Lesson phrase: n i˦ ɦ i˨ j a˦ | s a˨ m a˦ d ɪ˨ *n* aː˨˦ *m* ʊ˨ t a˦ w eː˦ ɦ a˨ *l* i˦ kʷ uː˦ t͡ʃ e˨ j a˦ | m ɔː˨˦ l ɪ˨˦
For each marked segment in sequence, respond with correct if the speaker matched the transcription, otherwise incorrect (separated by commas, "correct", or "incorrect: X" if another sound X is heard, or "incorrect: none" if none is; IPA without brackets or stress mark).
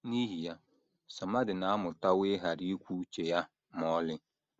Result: correct, correct, incorrect: ɾ